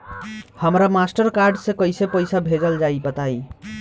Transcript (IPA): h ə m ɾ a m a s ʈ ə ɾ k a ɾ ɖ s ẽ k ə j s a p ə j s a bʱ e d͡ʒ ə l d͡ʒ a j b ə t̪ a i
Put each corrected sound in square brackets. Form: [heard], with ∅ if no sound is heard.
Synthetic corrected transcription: h ə m ɾ a m a s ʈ ə ɾ k a ɾ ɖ s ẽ k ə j s [e] p ə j s a bʱ e d͡ʒ ə l d͡ʒ a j b ə t̪ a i